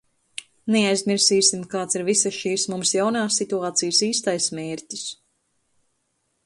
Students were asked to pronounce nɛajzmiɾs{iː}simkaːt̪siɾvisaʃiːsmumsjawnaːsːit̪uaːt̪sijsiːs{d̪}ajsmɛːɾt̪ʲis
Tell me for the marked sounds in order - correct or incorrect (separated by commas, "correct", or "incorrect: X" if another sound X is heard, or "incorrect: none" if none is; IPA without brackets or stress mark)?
correct, incorrect: t̪